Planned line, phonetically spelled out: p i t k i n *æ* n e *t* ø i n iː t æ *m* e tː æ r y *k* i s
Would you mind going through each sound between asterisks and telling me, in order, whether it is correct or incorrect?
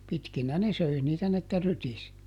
correct, incorrect, incorrect, incorrect

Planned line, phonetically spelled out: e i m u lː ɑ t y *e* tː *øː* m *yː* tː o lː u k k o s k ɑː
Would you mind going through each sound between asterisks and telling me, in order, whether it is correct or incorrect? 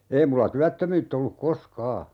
incorrect, incorrect, correct

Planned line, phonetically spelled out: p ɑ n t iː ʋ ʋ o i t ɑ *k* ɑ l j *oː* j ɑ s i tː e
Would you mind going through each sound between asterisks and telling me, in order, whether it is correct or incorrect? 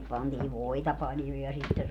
incorrect, incorrect

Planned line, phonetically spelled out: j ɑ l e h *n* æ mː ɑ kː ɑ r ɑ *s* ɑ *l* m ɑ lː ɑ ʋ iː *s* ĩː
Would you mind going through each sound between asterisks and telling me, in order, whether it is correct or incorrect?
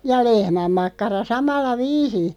incorrect, correct, incorrect, correct

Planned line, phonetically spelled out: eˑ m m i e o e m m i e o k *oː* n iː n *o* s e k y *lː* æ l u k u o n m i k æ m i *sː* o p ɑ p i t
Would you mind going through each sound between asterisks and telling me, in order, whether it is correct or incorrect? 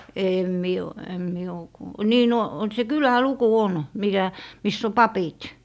incorrect, correct, incorrect, correct

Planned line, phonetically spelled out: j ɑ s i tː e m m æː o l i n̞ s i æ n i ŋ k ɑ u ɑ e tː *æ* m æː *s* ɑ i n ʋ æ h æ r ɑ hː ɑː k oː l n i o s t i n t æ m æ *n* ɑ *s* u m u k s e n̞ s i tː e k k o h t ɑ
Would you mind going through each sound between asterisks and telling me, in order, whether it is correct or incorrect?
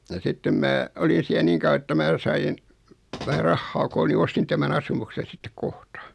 correct, correct, correct, correct

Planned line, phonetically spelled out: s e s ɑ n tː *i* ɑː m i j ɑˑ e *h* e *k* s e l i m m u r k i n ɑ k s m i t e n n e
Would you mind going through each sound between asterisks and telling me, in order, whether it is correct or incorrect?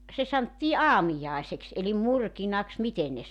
incorrect, incorrect, correct

